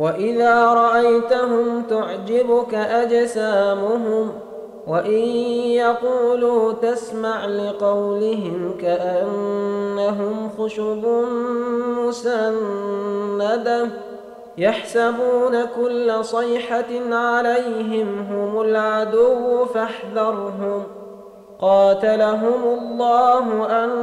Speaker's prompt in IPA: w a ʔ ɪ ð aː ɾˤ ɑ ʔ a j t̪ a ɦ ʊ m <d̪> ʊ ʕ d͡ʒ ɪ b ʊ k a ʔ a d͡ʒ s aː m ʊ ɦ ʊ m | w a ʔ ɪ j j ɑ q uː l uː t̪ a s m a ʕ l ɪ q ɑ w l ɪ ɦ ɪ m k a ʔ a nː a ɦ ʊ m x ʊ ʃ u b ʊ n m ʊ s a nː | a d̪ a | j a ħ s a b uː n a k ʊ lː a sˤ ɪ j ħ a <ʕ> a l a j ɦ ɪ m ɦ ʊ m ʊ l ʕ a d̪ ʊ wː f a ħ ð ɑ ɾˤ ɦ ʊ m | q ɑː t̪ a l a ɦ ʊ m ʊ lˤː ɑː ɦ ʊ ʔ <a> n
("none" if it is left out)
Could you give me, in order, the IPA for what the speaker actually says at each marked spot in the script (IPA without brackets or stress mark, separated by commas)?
t̪, ʕ, a